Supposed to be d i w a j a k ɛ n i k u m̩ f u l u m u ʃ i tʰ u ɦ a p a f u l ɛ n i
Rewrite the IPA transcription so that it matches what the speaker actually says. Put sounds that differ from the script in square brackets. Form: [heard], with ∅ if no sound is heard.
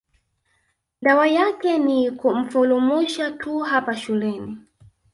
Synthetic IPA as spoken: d [a] w a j a k ɛ n i k u m̩ f u l u m u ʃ [a] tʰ u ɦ a p a [ʃ] u l ɛ n i